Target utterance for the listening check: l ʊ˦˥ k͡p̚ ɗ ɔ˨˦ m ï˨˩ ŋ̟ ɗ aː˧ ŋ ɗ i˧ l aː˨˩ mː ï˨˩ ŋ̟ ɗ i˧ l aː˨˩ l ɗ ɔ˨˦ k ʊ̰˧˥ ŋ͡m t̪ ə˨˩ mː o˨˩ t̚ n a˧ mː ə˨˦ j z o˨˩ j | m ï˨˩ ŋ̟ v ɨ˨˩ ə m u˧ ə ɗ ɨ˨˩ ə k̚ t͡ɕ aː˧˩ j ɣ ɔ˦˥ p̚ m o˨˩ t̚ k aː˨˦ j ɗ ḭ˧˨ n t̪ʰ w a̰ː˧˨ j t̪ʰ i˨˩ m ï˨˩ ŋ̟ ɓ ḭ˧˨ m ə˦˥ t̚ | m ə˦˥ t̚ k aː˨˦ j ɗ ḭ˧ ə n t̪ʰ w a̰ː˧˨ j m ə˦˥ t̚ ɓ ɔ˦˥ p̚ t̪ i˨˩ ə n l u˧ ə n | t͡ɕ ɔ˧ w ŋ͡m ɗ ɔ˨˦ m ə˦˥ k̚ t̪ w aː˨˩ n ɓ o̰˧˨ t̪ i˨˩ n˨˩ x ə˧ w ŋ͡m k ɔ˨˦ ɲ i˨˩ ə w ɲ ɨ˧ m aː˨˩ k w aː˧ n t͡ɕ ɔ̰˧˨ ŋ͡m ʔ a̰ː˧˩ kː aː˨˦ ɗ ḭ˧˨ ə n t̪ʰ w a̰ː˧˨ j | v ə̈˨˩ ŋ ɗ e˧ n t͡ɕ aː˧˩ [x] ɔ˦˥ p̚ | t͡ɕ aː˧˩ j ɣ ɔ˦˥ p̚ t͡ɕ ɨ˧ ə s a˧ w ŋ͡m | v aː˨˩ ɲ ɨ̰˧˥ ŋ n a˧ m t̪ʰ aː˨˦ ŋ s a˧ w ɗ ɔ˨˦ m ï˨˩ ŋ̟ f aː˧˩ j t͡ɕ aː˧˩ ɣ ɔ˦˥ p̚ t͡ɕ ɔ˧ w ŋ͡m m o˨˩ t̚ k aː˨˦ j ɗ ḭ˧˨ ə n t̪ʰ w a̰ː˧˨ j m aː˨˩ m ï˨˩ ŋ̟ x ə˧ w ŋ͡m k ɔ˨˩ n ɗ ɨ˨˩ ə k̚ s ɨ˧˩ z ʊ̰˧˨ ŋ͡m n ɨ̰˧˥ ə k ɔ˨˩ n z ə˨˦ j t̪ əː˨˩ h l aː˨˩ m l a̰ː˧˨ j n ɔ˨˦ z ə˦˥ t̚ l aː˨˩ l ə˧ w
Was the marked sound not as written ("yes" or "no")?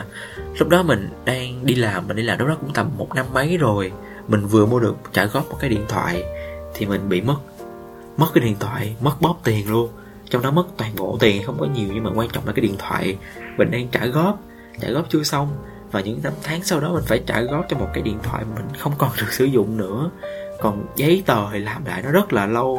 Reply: yes